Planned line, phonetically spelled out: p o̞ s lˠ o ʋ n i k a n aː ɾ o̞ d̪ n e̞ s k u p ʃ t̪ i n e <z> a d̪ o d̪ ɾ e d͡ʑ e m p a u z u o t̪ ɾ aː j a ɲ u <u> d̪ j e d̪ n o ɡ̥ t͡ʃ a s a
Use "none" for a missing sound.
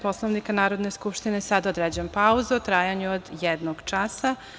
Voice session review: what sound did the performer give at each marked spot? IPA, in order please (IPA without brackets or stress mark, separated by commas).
s, o